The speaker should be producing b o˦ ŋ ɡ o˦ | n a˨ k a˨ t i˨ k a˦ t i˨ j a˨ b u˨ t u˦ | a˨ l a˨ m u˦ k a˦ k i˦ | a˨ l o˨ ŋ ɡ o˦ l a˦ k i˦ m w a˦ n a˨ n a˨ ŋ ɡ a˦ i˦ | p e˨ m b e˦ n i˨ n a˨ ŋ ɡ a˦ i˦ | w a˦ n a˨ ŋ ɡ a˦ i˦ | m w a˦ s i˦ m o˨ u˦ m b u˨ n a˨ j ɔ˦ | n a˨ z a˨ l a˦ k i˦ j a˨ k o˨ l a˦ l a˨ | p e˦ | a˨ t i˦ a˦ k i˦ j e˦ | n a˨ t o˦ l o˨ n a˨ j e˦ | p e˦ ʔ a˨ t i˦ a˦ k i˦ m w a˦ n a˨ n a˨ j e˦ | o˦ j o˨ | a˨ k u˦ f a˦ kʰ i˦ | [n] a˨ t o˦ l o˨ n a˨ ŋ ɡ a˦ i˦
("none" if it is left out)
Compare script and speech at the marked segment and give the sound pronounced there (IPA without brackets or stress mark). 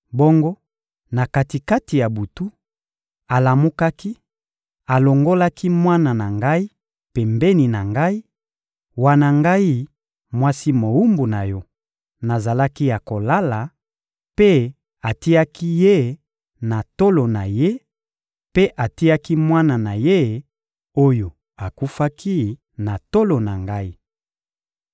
n